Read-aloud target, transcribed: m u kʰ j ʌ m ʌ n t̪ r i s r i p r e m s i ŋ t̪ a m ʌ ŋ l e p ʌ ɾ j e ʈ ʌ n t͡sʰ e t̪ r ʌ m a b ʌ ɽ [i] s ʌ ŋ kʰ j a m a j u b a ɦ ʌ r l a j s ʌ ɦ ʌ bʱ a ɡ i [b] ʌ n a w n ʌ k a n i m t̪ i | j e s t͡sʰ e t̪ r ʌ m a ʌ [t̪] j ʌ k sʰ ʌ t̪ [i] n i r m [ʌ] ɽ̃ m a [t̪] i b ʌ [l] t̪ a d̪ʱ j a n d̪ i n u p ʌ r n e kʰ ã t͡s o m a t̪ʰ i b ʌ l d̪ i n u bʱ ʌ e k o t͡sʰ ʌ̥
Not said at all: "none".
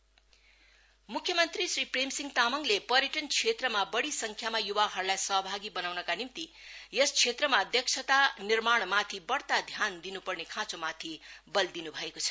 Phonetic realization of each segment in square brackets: i, b, d̪, a, a, t̪ʰ, ɽ

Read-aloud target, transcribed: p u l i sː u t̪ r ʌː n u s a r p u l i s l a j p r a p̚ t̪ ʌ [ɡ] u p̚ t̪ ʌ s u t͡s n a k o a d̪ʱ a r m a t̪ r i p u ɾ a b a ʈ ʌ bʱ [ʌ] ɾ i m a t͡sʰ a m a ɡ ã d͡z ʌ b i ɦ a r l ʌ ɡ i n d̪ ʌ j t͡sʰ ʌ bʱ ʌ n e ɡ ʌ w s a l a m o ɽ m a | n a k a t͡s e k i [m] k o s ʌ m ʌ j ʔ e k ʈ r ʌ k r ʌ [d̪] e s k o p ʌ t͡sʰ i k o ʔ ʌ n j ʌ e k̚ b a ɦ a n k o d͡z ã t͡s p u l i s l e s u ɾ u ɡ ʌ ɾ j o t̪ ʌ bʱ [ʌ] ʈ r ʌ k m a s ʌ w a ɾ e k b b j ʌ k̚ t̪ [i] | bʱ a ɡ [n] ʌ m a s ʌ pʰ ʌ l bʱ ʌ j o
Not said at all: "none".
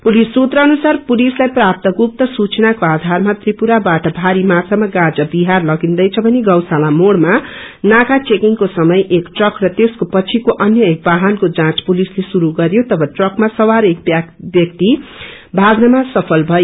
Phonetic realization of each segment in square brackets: ɡ, a, ŋ, t̪, ʌ, i, n

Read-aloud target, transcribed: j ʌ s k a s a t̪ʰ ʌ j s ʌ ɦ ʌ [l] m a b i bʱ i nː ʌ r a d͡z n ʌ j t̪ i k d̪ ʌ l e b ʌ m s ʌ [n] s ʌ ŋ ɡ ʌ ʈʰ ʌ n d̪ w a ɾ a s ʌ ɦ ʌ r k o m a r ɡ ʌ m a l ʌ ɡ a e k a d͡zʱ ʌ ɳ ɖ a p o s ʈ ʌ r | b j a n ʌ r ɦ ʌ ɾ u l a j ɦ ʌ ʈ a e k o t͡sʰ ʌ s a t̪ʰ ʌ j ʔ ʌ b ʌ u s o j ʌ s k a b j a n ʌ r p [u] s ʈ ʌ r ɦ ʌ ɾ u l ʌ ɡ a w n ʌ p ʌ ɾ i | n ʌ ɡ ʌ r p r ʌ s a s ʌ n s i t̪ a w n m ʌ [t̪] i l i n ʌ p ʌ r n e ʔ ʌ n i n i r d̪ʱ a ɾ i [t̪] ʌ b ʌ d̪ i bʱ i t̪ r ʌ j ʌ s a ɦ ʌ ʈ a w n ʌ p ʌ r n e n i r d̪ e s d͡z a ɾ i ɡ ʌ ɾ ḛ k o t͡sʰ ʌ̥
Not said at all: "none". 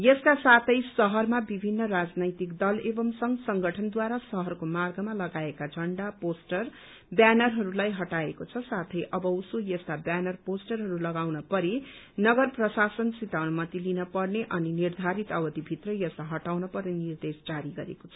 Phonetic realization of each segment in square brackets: r, ŋ, o, t̪, t̪

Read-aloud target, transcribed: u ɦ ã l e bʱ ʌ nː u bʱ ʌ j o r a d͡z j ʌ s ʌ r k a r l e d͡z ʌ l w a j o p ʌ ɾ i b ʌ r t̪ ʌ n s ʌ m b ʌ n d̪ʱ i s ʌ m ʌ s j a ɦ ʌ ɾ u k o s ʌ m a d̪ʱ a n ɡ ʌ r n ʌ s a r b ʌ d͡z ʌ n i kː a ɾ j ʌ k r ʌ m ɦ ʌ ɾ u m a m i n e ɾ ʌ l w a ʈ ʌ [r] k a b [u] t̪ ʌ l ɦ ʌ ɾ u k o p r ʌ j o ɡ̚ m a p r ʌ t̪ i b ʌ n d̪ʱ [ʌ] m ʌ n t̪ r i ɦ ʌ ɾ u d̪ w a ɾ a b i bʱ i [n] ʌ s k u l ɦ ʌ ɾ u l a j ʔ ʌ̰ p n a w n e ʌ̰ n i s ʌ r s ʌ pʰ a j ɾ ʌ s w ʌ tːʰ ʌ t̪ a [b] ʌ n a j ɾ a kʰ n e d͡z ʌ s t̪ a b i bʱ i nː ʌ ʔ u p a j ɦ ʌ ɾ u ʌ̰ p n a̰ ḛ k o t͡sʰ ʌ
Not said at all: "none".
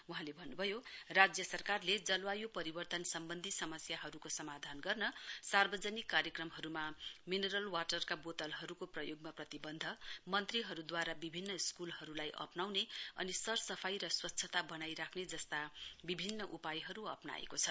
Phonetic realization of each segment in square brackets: r, o, ʌ, nː, b

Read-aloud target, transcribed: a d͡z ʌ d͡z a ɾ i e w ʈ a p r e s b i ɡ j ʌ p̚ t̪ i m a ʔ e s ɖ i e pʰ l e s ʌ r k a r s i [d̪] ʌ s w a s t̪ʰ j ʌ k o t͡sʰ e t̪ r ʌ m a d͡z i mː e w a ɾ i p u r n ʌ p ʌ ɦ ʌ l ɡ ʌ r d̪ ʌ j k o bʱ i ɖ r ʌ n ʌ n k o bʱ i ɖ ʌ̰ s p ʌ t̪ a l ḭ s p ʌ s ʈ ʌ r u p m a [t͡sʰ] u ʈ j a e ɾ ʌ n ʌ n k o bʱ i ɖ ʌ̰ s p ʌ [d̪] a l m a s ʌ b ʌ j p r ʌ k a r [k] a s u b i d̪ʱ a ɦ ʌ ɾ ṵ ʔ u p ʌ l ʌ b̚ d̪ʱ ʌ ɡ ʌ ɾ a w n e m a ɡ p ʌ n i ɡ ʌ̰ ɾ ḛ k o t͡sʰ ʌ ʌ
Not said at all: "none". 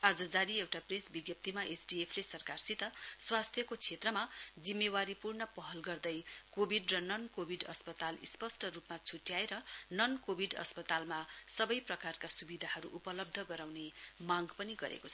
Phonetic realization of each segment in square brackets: t̪, t͡sʰ, t̪, k

